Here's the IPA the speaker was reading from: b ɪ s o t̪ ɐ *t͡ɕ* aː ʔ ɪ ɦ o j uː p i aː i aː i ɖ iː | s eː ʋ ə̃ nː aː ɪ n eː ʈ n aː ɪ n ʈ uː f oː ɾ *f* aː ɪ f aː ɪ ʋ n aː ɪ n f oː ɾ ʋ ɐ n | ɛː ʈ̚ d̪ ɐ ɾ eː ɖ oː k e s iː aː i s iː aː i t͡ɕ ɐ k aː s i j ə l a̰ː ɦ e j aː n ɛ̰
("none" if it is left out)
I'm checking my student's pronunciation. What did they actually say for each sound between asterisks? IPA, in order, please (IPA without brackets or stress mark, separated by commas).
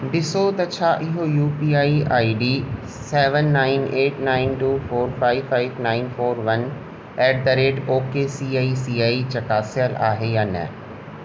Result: t͡ɕʰ, f